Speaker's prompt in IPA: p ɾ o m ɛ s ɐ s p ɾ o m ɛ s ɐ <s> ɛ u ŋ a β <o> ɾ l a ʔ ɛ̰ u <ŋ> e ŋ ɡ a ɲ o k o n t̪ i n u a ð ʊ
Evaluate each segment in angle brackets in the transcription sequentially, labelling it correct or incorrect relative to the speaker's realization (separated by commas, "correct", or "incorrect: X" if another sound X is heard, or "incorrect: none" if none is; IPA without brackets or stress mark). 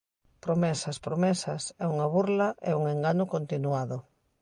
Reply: correct, incorrect: u, correct